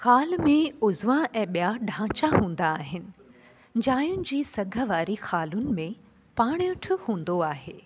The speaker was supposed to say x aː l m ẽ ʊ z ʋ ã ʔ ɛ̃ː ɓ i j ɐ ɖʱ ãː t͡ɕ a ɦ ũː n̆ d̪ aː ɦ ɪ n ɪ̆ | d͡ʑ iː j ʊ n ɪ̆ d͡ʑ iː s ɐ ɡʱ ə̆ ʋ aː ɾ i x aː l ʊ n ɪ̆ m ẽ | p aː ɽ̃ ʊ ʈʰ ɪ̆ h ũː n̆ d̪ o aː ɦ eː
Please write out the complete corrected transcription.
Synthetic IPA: x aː l m ẽ ʊ z ʋ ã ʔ ɛ̃ː ɓ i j a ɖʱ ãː t͡ɕ a ɦ ũː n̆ d̪ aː ɦ ɪ n ɪ̆ | d͡ʑ aː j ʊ n ɪ̆ d͡ʑ iː s ɐ ɡʱ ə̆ ʋ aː ɾ i x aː l ʊ n ɪ̆ m ẽ | p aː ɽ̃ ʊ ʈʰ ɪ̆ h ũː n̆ d̪ o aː ɦ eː